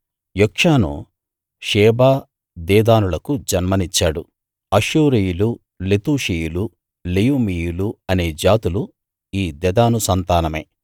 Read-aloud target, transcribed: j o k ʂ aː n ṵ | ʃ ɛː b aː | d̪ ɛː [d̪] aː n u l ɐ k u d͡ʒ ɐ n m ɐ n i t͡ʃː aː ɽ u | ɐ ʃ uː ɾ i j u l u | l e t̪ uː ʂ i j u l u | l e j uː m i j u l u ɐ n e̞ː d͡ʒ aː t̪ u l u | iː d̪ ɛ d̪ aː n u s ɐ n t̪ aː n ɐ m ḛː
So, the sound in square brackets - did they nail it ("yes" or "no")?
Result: yes